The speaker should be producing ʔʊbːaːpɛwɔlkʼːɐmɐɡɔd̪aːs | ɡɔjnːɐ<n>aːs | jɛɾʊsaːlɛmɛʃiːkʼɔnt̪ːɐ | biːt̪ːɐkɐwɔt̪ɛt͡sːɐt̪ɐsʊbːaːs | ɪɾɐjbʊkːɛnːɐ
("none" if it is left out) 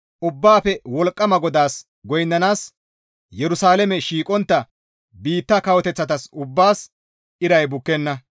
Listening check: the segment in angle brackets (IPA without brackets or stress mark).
n